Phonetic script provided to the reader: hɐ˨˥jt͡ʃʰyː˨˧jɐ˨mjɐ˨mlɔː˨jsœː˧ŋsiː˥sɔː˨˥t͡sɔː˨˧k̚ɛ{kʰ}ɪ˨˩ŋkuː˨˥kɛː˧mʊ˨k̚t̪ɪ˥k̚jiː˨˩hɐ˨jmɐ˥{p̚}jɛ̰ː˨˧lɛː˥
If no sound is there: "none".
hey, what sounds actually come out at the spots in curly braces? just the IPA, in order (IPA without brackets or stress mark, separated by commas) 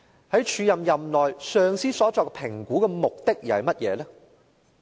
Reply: pʰ, t̚